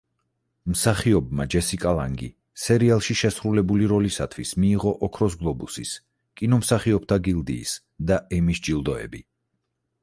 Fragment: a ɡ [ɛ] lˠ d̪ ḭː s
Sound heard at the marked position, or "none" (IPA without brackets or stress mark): i